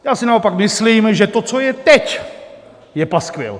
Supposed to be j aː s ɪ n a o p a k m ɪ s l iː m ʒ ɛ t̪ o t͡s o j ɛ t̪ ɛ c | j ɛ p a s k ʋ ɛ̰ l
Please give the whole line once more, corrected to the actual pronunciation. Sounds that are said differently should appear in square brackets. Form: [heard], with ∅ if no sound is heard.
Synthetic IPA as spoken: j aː s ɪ n a o p a k m ɪ s l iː m ʒ ɛ t̪ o t͡s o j ɛ t̪ ɛ c | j ɛ p a s k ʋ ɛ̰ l